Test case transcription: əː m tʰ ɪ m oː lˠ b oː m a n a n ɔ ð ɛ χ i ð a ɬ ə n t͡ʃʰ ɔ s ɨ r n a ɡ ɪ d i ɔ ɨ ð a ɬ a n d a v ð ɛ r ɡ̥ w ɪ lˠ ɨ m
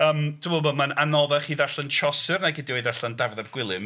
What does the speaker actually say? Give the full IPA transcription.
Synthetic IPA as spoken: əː m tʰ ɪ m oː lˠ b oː m a n a n ɔ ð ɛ χ i ð a ɬ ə n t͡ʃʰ ɔ s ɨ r n a ɡ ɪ d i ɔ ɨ ð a ɬ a n d a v ð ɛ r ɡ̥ w ɪ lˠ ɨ m